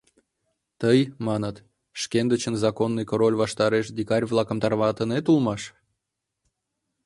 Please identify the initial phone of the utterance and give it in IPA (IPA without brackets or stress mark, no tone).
t̪